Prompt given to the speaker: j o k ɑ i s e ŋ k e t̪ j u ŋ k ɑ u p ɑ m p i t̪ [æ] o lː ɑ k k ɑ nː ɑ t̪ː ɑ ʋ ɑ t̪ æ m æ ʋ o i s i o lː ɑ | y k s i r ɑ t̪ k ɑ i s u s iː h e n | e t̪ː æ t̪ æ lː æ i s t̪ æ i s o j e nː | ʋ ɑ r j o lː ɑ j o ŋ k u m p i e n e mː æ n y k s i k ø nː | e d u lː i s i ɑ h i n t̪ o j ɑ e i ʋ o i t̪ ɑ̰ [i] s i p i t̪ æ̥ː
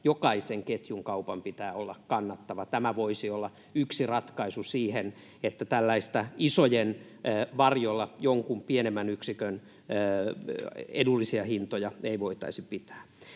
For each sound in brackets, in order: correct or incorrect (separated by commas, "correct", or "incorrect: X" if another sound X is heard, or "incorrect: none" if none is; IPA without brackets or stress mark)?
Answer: incorrect: æː, correct